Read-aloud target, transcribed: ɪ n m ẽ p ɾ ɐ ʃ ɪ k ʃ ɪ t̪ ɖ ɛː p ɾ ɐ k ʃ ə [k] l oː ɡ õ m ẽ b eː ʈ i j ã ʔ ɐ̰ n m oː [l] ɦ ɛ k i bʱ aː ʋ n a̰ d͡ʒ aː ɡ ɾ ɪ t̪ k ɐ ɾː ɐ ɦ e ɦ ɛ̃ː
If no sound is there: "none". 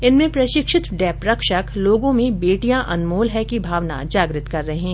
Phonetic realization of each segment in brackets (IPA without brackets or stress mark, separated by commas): k, l